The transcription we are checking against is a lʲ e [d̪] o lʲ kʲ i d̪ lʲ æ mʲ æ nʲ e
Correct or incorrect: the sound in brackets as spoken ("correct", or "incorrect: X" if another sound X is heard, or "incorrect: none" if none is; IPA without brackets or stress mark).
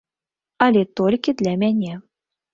incorrect: t̪